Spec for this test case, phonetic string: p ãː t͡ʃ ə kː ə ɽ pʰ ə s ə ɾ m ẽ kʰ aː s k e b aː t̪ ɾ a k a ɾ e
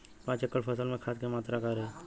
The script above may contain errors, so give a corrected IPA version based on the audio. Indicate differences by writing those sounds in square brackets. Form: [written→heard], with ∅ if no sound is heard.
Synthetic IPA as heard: p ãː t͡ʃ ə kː ə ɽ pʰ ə s ə [ɾ→l] m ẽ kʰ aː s k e [b→m] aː t̪ ɾ a k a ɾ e